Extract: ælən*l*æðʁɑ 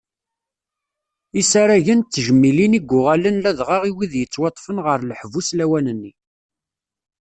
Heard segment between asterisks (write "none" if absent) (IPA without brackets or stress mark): l